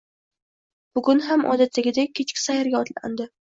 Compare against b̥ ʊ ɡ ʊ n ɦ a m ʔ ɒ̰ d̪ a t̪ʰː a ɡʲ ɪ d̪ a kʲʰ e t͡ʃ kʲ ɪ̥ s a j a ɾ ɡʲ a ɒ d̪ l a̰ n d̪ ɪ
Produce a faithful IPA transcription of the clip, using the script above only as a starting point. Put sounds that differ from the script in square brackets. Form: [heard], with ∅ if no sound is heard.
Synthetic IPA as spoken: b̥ ʊ ɡ ʊ n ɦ a m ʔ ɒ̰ d̪ a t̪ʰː a ɡʲ ɪ d̪ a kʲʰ e t͡ʃ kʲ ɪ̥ s a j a ɾ ɡʲ a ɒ [t̪] l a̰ n d̪ ɪ